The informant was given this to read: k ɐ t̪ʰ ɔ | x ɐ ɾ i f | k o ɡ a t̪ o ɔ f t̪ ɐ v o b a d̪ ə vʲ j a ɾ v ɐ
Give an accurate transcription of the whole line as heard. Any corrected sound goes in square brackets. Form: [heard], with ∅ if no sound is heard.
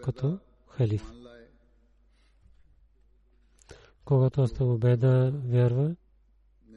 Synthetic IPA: k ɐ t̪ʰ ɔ | x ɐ [l] i f | k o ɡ a t̪ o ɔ [s] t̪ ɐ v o b [ɛ] d̪ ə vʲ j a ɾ v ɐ